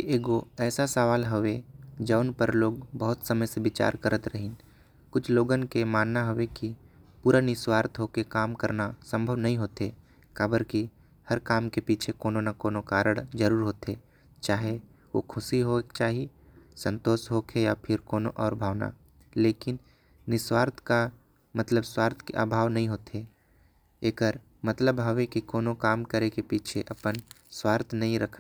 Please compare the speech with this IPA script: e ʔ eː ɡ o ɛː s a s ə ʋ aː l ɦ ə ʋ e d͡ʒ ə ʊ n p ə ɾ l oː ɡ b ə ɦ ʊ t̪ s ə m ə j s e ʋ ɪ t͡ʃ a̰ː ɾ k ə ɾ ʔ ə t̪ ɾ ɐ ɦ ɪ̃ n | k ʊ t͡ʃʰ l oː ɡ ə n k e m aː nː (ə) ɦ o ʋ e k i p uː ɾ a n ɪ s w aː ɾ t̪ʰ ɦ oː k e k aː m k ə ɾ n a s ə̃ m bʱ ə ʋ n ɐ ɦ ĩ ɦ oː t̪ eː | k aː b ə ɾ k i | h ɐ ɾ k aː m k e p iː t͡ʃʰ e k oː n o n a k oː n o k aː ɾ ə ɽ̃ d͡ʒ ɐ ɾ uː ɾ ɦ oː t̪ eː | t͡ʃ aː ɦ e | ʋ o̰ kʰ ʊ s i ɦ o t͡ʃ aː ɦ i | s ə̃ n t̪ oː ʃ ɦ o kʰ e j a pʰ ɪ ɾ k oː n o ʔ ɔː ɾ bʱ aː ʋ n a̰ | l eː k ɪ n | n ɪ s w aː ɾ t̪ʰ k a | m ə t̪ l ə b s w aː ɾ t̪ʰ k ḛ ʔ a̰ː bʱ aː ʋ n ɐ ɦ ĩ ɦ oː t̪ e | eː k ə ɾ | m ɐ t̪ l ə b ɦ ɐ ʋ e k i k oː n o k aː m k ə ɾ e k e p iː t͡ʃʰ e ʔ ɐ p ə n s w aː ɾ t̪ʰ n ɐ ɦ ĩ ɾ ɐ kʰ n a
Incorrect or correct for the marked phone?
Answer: incorrect: a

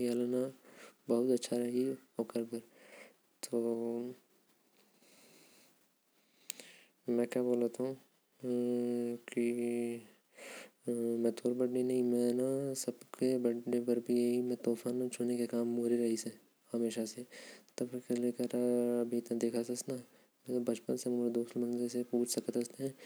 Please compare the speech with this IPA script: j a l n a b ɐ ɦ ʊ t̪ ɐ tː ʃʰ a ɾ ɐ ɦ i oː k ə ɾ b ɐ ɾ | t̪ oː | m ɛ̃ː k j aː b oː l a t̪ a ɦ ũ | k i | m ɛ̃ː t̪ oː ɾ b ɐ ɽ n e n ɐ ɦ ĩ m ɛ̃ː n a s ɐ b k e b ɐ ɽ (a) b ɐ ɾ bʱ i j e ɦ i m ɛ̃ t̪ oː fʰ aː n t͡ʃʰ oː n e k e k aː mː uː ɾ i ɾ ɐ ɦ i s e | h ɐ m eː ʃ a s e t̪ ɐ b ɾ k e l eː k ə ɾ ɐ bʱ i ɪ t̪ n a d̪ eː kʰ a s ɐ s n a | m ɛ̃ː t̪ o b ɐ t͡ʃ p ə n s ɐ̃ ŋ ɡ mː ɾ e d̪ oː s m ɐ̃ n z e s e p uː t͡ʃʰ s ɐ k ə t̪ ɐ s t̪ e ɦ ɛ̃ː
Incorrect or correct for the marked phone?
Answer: incorrect: e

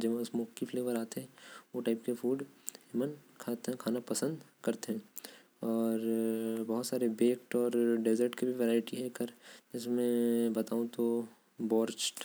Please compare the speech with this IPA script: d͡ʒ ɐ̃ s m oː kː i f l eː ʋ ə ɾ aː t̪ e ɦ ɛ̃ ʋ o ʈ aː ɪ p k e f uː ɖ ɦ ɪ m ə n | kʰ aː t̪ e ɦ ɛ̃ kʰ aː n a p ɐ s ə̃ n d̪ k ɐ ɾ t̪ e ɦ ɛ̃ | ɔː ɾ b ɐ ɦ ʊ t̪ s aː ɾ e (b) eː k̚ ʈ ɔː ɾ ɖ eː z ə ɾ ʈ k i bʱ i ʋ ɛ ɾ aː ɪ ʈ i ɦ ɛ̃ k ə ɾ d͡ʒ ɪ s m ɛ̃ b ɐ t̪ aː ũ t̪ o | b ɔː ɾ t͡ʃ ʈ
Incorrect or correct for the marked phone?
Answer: correct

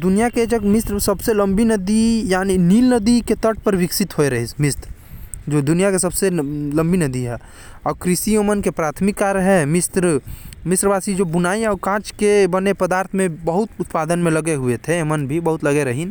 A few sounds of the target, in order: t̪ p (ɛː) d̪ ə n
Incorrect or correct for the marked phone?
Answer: incorrect: aː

